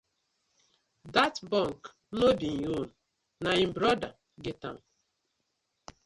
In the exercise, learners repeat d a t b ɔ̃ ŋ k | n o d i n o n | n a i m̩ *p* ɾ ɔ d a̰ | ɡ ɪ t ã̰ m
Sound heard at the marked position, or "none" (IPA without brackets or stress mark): b